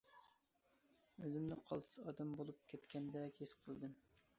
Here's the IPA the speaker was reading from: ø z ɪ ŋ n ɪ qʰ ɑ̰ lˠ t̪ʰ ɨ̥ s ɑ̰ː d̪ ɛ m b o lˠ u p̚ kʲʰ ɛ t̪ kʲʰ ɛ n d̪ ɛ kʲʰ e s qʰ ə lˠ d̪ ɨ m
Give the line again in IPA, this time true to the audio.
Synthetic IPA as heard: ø z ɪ m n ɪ qʰ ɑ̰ lˠ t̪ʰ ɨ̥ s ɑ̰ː d̪ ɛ m b o lˠ u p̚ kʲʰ ɛ t̪ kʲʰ ɛ n d̪ ɛ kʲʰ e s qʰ ə lˠ d̪ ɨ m

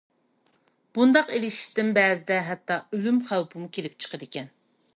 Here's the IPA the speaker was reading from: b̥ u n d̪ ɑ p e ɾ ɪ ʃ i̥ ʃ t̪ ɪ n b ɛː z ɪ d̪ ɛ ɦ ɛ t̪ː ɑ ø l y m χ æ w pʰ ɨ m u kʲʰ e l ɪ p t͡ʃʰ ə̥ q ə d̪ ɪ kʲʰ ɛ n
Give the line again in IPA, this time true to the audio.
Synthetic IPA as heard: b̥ u n d̪ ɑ q e l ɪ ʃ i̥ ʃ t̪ ɪ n b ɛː z ɪ d̪ ɛ ɦ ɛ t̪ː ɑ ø l y m χ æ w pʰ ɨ m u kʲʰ e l ɪ p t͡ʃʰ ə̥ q ə d̪ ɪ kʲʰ ɛ n

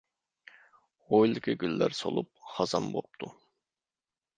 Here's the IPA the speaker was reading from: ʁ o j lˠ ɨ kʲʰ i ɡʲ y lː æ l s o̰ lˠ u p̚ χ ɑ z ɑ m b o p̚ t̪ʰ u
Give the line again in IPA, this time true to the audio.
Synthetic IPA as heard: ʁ o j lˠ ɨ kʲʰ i ɡʲ y lː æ ɾ s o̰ lˠ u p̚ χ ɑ z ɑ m b o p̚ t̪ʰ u

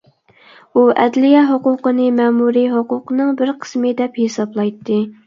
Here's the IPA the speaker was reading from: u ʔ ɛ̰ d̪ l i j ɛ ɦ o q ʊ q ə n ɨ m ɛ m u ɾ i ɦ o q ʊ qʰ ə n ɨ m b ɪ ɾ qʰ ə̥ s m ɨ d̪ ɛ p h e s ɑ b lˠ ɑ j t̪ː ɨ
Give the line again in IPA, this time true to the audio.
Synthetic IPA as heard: u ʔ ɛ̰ d̪ l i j ɛ ɦ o q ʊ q ə n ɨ m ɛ m u ɾ i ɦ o q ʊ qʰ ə n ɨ ŋ b ɪ ɾ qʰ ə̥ s m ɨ d̪ ɛ p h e s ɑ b lˠ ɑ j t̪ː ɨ

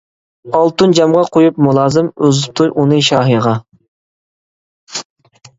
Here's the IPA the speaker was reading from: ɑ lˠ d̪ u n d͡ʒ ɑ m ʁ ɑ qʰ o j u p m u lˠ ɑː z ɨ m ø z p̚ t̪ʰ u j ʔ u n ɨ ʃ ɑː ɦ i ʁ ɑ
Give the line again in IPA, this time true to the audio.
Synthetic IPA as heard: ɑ lˠ t̪ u n d͡ʒ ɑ m ʁ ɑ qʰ o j u p m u lˠ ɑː z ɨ m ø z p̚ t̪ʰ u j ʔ u n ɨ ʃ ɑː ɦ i ʁ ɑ

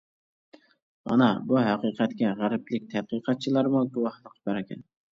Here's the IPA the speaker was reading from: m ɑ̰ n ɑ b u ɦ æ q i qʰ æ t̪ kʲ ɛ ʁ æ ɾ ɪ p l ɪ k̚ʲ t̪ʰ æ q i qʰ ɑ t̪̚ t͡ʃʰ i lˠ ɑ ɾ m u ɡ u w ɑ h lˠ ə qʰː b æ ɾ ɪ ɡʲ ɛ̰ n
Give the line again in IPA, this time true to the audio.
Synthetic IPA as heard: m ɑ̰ n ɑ b u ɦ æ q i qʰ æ t̪ kʲ ɛ ʁ æ ɾ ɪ p l ɪ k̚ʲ t̪ʰ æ q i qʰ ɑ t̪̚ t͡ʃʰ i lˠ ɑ ɾ m u ɡ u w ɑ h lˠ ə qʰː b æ ɾ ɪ kʲ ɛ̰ n

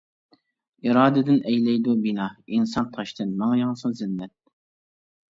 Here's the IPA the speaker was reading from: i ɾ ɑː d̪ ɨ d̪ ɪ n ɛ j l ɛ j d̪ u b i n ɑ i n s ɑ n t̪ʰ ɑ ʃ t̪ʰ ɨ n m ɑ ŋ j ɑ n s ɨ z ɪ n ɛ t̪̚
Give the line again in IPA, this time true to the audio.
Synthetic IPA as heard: i ɾ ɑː d̪ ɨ d̪ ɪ n ɛ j l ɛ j d̪ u b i n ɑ i n s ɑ n t̪ʰ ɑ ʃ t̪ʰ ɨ n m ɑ ŋ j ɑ ŋ s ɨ z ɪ nː ɛ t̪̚

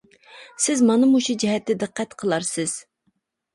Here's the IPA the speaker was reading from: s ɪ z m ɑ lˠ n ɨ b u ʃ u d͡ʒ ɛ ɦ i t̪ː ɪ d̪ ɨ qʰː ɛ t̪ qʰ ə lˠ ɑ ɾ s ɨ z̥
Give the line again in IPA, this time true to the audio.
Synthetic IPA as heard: s ɪ z m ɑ n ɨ m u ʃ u d͡ʒ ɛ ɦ ɛ t̪ː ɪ d̪ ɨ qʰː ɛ t̪ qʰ ə lˠ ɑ ɾ s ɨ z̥

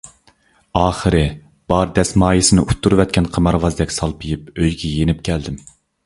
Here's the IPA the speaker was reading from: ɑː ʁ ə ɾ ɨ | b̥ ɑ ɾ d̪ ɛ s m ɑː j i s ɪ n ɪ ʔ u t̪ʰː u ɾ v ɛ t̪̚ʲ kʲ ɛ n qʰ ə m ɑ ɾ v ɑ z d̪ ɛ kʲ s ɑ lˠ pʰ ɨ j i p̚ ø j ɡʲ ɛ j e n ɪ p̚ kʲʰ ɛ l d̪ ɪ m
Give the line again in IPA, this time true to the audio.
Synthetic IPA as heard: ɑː χ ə ɾ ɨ | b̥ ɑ ɾ d̪ ɛ s m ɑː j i s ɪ n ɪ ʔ u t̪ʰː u ɾ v ɛ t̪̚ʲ kʲ ɛ n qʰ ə m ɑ ɾ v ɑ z d̪ ɛ kʲ s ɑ lˠ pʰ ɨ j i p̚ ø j ɡʲ ɛ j e n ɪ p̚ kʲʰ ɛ l d̪ ɪ m

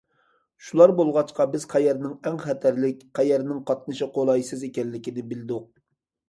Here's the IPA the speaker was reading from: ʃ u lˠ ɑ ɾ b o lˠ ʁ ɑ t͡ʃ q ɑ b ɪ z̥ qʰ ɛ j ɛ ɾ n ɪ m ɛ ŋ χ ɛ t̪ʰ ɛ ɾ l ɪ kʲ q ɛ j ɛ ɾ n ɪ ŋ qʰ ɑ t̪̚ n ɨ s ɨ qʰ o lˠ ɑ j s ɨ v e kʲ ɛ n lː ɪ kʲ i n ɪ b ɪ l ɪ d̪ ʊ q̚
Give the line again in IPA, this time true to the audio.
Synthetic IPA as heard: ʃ u lˠ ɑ ɾ b o lˠ ʁ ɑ t͡ʃ q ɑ b ɪ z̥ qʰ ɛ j ɛ ɾ n ɪ ŋ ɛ ŋ χ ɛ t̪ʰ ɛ ɾ l ɪ kʲ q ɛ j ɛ ɾ n ɪ ŋ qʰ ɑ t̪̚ n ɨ ʃ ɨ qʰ o lˠ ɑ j s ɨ z e kʲ ɛ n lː ɪ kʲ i n ɪ b ɪ l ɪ d̪ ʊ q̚

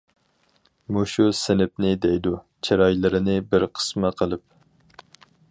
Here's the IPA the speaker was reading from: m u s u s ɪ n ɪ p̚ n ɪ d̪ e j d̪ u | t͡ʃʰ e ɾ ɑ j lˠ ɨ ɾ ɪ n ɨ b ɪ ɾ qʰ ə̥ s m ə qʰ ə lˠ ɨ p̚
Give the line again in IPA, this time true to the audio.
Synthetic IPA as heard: m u ʃ u s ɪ n ɪ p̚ n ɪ d̪ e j d̪ u | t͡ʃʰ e ɾ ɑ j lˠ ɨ ɾ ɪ n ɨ b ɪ ɾ qʰ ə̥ s m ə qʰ ə lˠ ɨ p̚

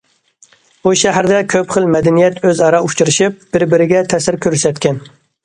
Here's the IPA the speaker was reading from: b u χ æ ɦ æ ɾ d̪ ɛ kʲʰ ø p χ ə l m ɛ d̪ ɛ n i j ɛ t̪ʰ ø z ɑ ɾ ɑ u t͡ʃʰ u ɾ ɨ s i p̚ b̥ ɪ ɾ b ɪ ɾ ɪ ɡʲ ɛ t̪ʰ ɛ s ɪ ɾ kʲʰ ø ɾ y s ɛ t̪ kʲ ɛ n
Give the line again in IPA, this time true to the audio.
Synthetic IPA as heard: b u ʃ æ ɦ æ ɾ d̪ ɛ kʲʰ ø p χ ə l m ɛ d̪ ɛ n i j ɛ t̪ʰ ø z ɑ ɾ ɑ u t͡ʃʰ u ɾ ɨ ʃ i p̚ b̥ ɪ ɾ b ɪ ɾ ɪ ɡʲ ɛ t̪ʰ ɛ s ɪ ɾ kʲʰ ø ɾ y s ɛ t̪ kʲ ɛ n

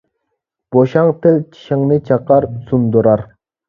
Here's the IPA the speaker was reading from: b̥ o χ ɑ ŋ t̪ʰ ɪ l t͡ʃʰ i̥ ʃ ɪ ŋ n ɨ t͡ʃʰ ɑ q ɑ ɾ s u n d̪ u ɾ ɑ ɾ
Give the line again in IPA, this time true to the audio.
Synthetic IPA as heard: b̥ o ʃ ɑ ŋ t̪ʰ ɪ l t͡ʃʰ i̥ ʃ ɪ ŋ n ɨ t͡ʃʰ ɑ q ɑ ɾ s u n d̪ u ɾ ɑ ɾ

